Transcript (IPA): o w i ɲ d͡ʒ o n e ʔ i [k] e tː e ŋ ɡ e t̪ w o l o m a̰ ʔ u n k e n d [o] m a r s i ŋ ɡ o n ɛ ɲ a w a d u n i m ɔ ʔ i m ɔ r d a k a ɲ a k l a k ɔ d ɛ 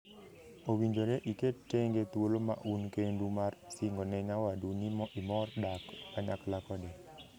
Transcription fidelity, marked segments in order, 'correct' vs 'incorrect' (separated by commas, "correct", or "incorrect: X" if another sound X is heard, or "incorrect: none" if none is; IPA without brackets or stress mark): correct, incorrect: u